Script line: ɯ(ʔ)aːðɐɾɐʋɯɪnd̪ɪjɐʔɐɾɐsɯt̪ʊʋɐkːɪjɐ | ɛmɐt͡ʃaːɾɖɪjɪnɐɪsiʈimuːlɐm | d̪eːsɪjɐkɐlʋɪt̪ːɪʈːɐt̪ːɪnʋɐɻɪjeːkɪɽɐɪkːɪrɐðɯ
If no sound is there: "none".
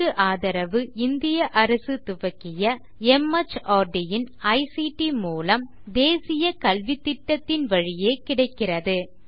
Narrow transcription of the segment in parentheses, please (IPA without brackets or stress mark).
ʔ